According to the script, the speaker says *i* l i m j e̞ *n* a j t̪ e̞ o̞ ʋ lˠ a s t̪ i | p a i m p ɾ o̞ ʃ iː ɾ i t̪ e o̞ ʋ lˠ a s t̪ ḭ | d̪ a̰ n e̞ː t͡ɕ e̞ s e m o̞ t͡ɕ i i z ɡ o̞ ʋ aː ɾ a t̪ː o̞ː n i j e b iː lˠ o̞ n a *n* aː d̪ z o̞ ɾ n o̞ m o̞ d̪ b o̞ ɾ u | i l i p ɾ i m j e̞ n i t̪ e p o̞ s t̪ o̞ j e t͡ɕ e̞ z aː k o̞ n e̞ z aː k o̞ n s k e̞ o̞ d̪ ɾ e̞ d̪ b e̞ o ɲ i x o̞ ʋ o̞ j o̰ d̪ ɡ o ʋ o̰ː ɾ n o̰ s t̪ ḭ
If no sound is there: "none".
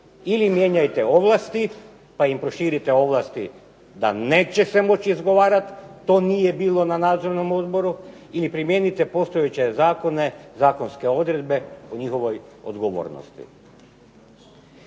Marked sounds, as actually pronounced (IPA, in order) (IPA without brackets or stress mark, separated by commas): i, ɲ, n